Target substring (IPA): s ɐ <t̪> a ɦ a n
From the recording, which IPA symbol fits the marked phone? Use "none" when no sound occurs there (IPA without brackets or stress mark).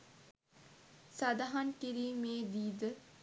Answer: d̪